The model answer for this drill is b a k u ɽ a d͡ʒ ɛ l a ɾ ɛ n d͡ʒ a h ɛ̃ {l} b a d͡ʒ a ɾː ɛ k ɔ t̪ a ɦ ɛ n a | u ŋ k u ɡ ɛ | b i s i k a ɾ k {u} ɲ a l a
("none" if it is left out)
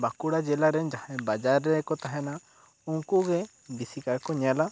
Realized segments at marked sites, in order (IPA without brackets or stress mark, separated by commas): none, ɔ